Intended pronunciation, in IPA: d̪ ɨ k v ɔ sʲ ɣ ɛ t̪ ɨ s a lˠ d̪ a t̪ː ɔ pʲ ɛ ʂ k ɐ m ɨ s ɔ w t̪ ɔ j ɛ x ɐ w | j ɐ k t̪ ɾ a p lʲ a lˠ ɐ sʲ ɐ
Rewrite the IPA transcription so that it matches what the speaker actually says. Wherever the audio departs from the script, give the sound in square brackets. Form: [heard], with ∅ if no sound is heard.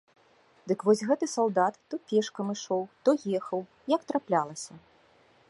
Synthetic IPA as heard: d̪ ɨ k v ɔ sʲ ɣ ɛ t̪ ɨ s a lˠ d̪ a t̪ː ɔ pʲ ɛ ʂ k ɐ m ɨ [ʂ] ɔ w t̪ ɔ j ɛ x ɐ w | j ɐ k t̪ ɾ a p lʲ a lˠ ɐ sʲ ɐ